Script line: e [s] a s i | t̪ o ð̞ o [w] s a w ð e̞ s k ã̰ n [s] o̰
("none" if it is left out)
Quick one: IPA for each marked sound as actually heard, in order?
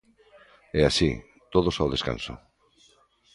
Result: none, none, s

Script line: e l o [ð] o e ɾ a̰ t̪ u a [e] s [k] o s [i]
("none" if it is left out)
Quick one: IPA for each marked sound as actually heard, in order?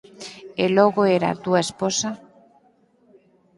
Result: ɣ, e, p, a

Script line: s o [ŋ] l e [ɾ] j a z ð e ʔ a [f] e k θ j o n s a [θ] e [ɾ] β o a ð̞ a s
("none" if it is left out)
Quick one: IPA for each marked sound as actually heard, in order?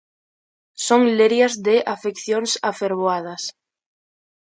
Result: ŋ, ɾ, f, f, ɾ

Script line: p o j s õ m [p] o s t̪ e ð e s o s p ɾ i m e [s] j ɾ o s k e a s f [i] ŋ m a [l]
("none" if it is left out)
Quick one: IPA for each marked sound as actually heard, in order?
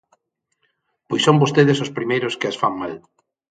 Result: b, none, a, l

